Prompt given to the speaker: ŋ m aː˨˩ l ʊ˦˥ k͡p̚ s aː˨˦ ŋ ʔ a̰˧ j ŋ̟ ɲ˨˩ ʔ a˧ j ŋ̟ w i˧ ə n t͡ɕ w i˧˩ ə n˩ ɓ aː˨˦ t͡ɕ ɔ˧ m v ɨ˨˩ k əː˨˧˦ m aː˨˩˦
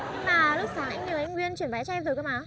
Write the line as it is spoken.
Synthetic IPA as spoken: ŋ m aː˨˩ l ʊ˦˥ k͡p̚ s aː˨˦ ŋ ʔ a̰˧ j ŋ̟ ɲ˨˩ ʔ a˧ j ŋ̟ w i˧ ə n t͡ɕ w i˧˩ ə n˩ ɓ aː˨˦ t͡ɕ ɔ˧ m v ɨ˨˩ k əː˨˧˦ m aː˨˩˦